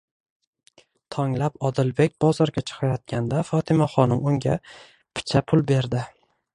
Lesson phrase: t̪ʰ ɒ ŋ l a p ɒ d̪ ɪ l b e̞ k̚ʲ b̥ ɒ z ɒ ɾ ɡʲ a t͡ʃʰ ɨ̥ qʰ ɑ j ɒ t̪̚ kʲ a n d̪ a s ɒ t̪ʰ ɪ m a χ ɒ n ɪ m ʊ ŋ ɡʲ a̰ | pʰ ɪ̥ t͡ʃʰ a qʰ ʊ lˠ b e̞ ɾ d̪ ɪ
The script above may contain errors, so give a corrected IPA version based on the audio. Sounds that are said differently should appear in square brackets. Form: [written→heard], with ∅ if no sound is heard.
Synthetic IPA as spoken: t̪ʰ ɒ ŋ l a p ɒ d̪ ɪ l b e̞ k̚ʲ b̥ ɒ z ɒ ɾ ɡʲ a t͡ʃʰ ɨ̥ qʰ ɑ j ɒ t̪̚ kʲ a n d̪ a [s→f] ɒ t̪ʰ ɪ m a χ ɒ n ɪ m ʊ ŋ ɡʲ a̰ | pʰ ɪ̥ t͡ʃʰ a [qʰ→pʰ] ʊ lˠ b e̞ ɾ d̪ ɪ